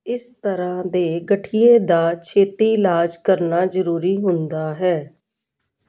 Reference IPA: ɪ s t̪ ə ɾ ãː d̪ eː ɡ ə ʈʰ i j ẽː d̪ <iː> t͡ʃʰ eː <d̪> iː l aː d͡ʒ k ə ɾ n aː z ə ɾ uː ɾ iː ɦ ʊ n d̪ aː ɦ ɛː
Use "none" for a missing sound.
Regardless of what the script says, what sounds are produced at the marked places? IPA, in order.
aː, t̪

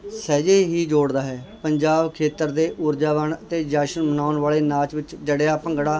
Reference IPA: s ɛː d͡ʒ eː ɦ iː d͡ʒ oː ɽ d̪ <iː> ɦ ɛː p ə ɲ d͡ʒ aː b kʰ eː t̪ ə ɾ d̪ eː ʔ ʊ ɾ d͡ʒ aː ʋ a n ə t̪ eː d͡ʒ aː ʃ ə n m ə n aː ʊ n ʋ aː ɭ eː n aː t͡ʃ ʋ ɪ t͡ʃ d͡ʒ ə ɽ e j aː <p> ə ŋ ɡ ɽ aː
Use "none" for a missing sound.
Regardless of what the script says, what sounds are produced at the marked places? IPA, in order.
aː, p

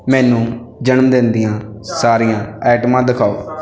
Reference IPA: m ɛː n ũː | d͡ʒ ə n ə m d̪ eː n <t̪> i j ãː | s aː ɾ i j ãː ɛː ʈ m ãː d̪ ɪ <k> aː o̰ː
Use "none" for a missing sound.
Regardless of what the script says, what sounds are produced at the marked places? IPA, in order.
d̪, kʰ

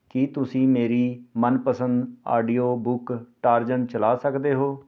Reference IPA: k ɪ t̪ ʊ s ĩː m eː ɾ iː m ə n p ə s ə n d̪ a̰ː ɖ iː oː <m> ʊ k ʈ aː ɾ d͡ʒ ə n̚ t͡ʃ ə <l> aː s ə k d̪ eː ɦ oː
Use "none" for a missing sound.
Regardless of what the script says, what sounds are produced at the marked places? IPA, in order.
b, l

